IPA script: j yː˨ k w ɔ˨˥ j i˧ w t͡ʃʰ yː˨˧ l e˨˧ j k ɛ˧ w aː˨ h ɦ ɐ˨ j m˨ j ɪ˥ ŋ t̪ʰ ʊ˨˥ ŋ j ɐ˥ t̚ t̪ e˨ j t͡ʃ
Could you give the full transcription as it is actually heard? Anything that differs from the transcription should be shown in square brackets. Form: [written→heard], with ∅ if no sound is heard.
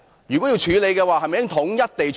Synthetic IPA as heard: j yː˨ k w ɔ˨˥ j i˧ w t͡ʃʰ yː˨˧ l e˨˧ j k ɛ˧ w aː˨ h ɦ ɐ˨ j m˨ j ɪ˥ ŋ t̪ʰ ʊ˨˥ ŋ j ɐ˥ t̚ t̪ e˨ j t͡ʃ